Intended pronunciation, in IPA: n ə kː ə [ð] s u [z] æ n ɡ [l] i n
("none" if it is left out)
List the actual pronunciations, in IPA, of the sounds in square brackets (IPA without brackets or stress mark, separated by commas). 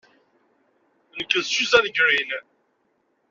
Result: ð, z, ɾ